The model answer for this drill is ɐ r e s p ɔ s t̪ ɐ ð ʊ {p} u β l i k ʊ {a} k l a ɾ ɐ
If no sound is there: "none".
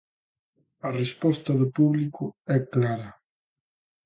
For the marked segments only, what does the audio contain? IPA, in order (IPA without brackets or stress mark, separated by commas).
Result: p, ɛ